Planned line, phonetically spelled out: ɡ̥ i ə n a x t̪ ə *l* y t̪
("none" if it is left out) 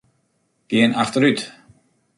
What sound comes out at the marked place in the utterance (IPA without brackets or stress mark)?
ɾ